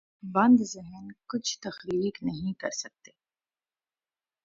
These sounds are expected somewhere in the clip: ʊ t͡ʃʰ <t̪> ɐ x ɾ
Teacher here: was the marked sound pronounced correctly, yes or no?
yes